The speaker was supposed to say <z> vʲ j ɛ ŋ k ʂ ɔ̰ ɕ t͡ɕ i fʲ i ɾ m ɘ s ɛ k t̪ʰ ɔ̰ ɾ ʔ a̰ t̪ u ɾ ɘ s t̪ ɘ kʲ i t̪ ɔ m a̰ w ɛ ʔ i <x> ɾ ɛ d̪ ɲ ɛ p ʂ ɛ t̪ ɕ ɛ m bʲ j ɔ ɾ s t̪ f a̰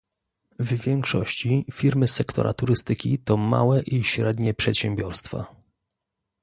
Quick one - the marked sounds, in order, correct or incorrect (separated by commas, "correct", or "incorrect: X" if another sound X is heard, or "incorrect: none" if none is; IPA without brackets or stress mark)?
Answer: incorrect: v, incorrect: ɕ